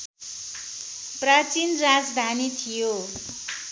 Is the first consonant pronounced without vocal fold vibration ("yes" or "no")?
yes